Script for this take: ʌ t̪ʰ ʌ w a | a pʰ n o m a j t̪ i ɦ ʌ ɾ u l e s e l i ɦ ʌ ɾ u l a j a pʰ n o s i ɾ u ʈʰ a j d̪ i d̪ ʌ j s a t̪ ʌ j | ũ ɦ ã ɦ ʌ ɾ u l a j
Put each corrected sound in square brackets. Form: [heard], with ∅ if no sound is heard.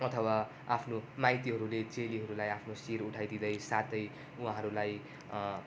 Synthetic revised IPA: ʌ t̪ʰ ʌ w a | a pʰ n o m a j t̪ i ɦ ʌ ɾ u l e [t͡s] e l i ɦ ʌ ɾ u l a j a pʰ n o s i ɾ u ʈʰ a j d̪ i d̪ ʌ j s a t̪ ʌ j | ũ ɦ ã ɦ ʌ ɾ u l a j